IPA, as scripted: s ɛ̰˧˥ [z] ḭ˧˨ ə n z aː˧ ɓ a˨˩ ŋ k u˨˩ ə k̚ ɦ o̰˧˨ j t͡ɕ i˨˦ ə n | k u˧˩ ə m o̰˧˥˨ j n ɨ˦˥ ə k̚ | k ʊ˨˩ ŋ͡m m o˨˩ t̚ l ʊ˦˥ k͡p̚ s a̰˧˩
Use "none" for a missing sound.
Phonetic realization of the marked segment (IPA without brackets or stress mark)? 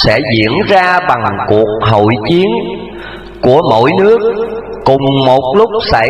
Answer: z